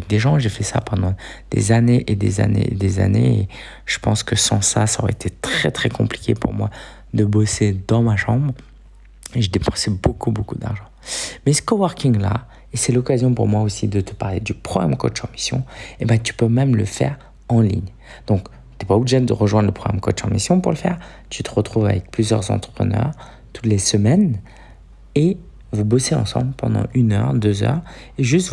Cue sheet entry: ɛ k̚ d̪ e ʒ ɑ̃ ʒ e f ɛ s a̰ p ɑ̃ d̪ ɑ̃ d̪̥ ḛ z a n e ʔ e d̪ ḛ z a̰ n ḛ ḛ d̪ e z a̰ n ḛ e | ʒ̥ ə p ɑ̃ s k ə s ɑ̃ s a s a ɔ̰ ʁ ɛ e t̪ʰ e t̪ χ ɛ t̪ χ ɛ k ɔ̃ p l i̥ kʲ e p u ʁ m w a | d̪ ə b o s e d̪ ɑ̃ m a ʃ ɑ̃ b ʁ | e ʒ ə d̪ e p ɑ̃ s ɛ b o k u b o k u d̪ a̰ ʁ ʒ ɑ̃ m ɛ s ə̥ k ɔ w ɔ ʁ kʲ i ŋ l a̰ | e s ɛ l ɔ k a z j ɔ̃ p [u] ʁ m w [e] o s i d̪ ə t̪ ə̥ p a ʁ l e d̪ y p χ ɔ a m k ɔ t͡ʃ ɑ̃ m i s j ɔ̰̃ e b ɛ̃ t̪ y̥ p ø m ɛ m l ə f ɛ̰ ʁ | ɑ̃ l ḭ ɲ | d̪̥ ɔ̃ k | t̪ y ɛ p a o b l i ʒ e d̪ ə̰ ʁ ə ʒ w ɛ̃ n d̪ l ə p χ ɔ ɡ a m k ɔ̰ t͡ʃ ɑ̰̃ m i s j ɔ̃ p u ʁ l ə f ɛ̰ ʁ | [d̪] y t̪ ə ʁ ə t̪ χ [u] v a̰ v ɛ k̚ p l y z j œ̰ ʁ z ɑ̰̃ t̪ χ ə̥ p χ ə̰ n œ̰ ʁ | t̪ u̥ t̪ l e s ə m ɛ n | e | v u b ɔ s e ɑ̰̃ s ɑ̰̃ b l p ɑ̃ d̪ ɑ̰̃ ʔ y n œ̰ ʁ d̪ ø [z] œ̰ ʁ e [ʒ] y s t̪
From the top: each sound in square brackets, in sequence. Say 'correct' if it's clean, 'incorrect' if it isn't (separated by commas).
correct, incorrect, incorrect, correct, correct, correct